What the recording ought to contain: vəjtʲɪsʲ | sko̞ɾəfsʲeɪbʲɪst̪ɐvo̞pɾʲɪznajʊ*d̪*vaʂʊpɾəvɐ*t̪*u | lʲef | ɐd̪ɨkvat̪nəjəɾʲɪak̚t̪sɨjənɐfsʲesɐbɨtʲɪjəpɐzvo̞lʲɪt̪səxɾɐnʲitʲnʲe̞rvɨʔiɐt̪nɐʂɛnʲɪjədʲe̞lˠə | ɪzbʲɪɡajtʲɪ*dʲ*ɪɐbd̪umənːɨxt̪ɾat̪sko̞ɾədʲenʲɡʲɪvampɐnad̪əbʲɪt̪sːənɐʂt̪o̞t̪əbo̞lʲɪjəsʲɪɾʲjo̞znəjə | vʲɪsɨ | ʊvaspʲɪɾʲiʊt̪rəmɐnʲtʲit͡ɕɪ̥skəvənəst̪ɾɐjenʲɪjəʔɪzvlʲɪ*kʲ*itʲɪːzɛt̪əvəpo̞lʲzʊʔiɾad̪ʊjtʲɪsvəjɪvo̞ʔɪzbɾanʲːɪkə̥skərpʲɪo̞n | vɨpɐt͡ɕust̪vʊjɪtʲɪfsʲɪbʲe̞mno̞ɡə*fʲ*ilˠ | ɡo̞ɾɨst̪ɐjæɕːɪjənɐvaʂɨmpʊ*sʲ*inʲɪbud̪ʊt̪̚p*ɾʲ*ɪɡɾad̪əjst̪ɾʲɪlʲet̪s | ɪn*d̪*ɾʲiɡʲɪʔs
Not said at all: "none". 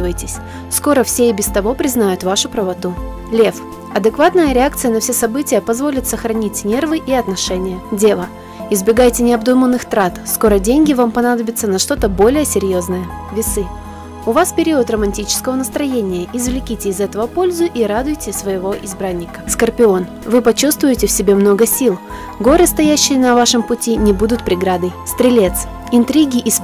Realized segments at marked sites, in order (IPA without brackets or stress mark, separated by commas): t̪, t̪, nʲ, kʲ, sʲ, tʲ, ɾʲ, t̪